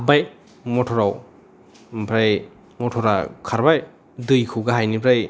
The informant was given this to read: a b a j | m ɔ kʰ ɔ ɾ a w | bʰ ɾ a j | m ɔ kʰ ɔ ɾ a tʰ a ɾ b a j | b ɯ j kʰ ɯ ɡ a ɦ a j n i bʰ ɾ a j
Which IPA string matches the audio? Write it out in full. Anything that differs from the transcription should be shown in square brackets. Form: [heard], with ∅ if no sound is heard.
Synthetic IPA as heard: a b a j | m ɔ [tʰ] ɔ ɾ a w | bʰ ɾ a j | m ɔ [tʰ] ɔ ɾ a [kʰ] a ɾ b a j | [d] ɯ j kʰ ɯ ɡ a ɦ a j n i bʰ ɾ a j